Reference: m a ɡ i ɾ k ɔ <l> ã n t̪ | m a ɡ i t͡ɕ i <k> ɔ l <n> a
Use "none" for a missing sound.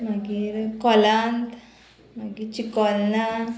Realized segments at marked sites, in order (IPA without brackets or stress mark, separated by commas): l, k, n